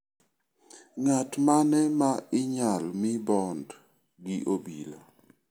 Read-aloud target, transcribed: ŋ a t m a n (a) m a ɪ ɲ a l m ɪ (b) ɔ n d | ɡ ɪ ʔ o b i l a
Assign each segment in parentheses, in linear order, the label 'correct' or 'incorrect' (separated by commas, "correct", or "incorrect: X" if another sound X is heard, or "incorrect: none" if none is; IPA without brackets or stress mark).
incorrect: ɛ, correct